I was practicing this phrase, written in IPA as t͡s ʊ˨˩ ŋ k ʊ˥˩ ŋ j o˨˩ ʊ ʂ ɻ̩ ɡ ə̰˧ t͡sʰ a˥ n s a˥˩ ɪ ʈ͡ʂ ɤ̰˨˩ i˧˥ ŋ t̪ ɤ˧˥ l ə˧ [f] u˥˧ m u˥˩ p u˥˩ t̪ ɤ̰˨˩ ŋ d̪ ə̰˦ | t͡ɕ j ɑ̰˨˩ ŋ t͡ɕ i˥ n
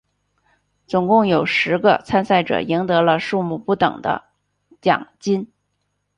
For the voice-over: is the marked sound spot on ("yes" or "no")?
no